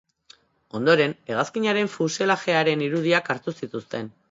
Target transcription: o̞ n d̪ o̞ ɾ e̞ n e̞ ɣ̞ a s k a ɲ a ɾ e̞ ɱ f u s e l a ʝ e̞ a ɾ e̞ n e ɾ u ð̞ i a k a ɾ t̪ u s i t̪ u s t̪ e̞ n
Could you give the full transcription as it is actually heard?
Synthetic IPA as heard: o̞ n d̪ o̞ ɾ e̞ n e̞ ɣ̞ a s k i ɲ a ɾ e̞ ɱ f u s e l a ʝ e̞ a ɾ e̞ n i ɾ u ð̞ i a k a ɾ t̪ u s i t̪ u s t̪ e̞ n